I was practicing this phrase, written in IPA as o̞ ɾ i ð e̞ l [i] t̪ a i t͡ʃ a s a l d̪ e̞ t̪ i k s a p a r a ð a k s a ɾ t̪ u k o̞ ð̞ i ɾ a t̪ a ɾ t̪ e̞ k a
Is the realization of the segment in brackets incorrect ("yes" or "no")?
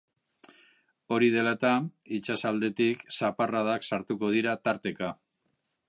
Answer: yes